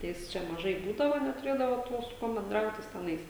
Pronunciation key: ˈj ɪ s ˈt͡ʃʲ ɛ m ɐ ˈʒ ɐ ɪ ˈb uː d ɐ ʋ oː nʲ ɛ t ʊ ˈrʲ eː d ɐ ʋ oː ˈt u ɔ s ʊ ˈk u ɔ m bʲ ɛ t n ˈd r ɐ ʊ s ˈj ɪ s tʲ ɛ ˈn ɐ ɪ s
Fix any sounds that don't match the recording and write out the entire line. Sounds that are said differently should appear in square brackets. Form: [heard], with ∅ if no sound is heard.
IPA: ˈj ɪ s ˈt͡ʃʲ ɛ m ɐ ˈʒ ɐ ɪ ˈb uː d ɐ ʋ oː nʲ ɛ t ʊ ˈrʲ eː d ɐ ʋ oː ˈt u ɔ s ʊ ˈk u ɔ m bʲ ɛ [∅] n ˈd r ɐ ʊ [t] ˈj ɪ s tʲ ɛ ˈn ɐ ɪ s